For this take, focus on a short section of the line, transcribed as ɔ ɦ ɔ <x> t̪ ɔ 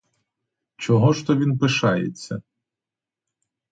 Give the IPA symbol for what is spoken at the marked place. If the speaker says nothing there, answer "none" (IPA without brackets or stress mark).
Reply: ʃ